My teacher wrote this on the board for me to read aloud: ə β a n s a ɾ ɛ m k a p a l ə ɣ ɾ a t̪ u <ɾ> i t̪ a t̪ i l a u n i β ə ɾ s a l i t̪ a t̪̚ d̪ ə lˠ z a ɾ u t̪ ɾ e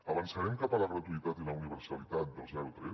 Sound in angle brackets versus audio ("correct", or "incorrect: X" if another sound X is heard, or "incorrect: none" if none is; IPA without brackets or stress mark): incorrect: none